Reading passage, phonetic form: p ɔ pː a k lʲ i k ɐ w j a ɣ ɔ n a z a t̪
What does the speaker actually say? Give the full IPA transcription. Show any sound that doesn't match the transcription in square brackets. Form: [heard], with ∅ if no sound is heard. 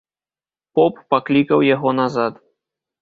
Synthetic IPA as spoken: p ɔ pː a k lʲ i k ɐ w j a ɣ ɔ n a z a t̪